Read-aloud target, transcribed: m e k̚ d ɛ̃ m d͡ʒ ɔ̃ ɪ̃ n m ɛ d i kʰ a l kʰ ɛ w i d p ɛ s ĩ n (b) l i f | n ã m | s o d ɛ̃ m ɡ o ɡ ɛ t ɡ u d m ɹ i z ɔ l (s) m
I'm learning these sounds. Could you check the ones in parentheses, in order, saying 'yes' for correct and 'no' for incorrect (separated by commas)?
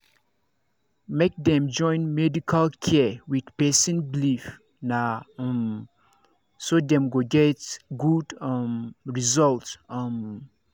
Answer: yes, no